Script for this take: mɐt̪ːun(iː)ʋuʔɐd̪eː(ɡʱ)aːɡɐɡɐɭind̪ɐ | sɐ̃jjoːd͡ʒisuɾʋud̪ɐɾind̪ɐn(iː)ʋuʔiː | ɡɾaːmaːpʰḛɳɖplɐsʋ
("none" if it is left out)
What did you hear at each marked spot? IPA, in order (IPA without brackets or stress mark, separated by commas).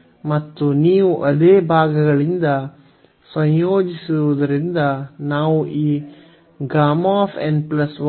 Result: iː, bʱ, aː